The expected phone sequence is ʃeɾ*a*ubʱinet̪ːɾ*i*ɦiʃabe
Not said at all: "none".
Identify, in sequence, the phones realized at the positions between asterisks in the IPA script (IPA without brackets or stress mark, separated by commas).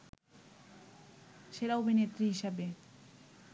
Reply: a, i